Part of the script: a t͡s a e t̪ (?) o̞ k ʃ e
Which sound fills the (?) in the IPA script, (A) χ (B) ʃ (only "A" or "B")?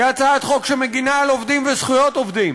A